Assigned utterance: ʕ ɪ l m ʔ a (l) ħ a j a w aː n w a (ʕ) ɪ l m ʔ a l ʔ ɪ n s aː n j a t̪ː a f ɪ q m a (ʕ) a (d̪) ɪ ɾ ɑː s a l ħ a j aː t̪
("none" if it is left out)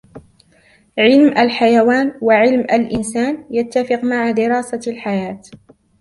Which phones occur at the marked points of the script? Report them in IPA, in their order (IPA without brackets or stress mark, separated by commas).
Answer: l, ʕ, ʕ, d̪